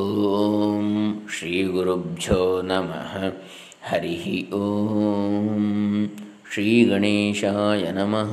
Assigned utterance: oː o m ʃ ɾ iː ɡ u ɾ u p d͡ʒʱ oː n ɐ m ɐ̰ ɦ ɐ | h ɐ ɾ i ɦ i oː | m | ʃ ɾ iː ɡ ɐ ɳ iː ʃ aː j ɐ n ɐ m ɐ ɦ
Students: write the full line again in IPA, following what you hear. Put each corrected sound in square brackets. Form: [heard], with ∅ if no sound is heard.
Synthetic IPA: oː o m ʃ ɾ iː ɡ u ɾ u [b] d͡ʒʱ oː n ɐ m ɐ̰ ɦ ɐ | h ɐ ɾ i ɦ i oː | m | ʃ ɾ iː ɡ ɐ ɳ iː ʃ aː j ɐ n ɐ m ɐ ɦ